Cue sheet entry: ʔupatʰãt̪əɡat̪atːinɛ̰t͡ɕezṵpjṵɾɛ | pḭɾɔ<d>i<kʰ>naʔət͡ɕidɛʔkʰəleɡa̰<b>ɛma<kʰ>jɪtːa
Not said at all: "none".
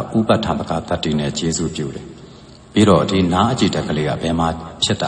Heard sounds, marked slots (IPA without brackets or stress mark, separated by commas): d, none, b, pʰ